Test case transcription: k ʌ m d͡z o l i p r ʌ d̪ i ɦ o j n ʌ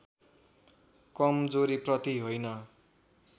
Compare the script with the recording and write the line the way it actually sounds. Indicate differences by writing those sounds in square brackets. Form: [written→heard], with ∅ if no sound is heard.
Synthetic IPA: k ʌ m d͡z o [l→ɾ] i p r ʌ [d̪→t̪] i ɦ o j n ʌ